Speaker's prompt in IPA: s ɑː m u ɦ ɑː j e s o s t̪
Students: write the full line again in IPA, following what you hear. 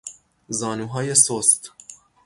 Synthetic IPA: z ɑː n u ɦ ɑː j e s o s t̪